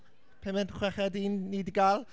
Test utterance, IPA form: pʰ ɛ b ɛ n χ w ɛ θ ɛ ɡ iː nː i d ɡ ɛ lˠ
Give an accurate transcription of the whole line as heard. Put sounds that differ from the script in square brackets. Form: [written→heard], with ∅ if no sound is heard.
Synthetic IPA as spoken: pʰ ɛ [b→m] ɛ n χ w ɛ [θ→χ] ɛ [ɡ→d] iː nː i d ɡ [ɛ→a] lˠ